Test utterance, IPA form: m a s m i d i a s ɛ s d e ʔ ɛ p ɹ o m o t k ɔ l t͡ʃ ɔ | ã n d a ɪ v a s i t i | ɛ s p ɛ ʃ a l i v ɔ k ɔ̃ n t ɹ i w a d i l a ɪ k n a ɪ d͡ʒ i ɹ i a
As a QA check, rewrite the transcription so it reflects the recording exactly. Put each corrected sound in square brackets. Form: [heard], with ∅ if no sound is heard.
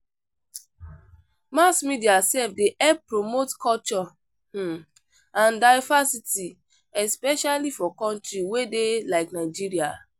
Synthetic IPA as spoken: m a s m i d i a s ɛ [f] d e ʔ ɛ p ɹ o m o t k ɔ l t͡ʃ ɔ | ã n d a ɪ v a s i t i | ɛ s p ɛ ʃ a l i [f] ɔ k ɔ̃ n t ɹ i w [e] d [e] l a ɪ k n a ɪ d͡ʒ i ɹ i a